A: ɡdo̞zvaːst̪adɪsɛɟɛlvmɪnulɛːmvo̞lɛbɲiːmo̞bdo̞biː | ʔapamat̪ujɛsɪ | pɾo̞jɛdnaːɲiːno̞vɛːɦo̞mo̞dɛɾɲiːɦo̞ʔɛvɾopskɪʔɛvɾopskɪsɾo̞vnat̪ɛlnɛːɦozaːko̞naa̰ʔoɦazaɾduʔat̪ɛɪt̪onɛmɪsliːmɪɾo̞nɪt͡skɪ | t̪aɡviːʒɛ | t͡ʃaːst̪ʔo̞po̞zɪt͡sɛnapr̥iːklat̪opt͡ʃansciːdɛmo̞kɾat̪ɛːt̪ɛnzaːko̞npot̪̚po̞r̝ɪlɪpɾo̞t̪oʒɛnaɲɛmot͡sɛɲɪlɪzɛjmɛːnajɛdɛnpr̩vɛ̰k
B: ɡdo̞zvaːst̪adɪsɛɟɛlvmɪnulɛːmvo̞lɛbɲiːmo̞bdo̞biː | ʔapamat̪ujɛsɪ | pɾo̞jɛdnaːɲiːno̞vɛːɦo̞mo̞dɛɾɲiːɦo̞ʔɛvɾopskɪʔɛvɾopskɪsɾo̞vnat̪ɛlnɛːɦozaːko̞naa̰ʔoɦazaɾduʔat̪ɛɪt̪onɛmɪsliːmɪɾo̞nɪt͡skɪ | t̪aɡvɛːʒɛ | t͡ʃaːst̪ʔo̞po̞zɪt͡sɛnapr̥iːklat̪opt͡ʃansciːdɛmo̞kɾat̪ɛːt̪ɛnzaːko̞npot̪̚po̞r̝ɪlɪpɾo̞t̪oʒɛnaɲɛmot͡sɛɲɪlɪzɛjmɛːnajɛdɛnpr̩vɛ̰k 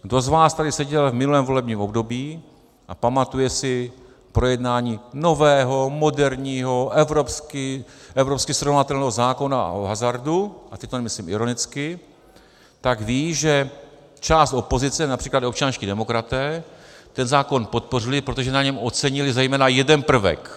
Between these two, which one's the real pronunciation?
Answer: A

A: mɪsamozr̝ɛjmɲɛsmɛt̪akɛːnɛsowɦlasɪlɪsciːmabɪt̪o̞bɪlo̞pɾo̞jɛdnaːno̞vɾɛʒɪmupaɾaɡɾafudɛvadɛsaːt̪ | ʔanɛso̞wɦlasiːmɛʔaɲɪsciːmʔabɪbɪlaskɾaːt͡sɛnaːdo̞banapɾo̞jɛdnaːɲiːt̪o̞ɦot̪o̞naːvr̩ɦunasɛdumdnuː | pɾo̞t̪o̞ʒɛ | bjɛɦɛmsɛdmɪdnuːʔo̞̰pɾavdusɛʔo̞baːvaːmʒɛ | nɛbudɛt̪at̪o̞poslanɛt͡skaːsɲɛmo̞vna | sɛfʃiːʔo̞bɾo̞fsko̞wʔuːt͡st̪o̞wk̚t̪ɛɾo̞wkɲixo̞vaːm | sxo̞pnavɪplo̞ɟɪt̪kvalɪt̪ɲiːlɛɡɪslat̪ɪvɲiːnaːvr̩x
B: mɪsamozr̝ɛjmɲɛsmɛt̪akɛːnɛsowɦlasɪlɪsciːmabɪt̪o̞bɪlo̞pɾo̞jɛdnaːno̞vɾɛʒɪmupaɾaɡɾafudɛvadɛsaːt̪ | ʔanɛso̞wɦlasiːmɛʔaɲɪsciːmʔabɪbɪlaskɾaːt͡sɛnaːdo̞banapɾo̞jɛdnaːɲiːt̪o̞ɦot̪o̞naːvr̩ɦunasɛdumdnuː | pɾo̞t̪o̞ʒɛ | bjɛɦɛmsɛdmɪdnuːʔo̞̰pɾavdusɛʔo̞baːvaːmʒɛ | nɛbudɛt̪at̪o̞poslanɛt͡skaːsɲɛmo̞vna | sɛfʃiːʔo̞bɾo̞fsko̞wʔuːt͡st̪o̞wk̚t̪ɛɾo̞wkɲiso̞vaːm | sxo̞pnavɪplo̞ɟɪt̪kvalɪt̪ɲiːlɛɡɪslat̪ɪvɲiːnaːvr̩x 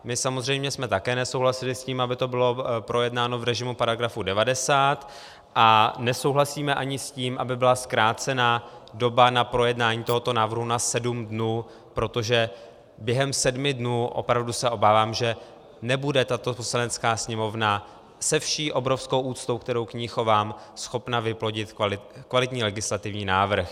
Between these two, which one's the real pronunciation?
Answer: A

